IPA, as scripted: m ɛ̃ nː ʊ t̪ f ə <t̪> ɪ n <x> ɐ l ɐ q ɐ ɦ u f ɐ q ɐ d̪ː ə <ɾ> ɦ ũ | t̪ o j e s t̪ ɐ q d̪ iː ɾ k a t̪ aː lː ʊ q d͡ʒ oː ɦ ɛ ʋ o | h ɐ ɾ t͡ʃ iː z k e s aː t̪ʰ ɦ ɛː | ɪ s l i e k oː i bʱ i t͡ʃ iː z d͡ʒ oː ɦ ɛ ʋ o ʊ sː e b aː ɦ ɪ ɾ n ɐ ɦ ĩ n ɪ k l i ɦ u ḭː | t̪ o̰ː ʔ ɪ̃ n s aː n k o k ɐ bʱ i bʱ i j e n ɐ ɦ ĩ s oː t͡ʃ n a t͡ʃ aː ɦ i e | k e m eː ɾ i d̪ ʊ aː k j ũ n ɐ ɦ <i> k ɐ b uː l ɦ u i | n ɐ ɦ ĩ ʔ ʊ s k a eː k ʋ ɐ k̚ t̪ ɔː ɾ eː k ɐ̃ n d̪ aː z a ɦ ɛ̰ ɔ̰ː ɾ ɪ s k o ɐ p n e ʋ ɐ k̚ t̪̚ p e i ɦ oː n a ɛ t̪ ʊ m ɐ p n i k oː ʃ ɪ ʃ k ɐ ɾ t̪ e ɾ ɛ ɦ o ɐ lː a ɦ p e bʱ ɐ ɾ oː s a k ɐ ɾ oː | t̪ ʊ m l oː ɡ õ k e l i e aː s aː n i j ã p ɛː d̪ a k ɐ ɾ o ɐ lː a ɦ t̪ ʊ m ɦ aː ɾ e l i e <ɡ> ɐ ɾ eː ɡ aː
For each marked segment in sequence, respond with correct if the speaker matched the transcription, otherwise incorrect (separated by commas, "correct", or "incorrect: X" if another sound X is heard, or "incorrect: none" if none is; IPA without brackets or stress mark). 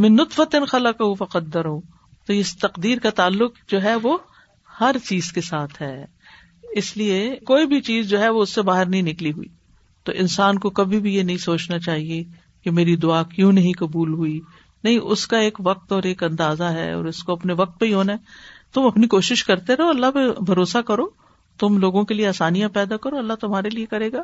correct, correct, correct, incorrect: ĩ, incorrect: k